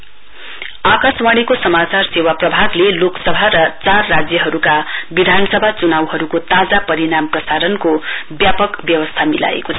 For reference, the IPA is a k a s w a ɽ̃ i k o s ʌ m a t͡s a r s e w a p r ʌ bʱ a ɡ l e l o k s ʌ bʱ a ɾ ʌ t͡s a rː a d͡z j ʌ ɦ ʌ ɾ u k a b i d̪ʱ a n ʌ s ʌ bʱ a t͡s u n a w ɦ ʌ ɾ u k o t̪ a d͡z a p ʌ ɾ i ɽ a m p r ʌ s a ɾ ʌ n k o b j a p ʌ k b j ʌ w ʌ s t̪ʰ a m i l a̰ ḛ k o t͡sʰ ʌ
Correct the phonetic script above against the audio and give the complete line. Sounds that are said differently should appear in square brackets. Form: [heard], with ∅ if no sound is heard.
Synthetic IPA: a k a s w a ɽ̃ i k o s ʌ m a t͡s a r s e w a p r ʌ bʱ a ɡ l e l o k s ʌ bʱ a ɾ ʌ t͡s a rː a d͡z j ʌ ɦ ʌ ɾ u k a b i d̪ʱ a n ʌ s ʌ bʱ a t͡s u n a w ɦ ʌ ɾ u k o t̪ a d͡z a p ʌ ɾ i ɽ a m p r ʌ s a ɾ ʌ n k o b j a p ʌ k b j ʌ w ʌ s t̪ʰ a m i l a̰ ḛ k o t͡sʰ ʌ